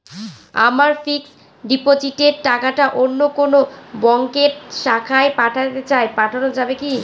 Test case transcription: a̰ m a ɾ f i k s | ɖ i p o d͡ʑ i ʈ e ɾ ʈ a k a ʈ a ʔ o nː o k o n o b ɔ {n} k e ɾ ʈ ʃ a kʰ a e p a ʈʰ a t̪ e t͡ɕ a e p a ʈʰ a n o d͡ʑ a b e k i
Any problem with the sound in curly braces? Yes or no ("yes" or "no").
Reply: yes